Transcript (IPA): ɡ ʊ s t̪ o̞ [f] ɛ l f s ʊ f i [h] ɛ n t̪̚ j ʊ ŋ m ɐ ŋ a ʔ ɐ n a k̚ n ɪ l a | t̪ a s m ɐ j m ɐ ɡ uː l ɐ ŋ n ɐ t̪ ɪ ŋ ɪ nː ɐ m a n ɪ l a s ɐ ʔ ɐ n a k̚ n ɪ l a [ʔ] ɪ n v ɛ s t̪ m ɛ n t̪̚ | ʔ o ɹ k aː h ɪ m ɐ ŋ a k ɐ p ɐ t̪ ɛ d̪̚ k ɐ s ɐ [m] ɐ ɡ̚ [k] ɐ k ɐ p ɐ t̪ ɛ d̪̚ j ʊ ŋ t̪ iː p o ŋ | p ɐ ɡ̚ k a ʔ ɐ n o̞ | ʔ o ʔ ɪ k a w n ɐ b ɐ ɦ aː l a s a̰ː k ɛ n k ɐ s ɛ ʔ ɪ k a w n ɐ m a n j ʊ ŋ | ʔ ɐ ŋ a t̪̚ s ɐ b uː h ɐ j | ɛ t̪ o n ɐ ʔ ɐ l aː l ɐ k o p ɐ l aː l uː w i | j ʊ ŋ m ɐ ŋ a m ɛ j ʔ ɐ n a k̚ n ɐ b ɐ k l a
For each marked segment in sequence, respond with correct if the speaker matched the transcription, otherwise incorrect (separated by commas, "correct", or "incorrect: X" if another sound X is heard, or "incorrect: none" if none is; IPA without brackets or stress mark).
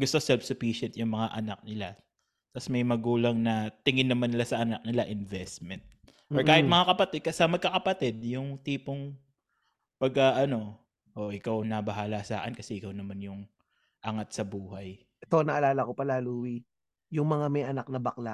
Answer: incorrect: s, incorrect: ʃ, correct, correct, correct